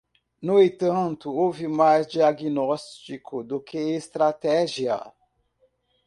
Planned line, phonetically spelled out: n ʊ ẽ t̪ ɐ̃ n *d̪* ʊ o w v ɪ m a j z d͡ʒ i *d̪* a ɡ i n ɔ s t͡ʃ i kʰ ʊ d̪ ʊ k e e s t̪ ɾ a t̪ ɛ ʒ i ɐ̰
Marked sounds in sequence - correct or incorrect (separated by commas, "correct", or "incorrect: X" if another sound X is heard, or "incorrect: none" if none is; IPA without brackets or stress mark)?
incorrect: t̪, incorrect: none